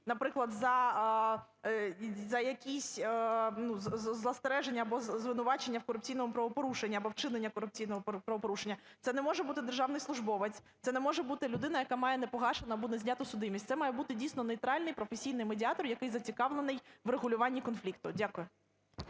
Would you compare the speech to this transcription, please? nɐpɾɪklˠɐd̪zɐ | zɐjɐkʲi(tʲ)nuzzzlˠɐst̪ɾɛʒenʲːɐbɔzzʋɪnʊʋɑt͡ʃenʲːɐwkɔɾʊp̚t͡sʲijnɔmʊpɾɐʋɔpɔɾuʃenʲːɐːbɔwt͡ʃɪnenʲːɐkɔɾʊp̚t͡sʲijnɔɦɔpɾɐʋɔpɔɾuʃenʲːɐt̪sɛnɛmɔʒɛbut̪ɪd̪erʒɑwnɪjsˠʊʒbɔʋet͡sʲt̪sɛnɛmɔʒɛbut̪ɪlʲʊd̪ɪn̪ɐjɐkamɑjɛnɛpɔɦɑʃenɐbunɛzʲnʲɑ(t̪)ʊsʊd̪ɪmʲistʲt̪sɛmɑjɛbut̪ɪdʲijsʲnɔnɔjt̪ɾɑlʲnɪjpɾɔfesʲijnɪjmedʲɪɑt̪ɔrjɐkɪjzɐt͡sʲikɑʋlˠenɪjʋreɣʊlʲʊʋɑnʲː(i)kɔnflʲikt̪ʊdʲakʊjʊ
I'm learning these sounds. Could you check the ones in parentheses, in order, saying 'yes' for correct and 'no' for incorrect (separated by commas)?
no, yes, yes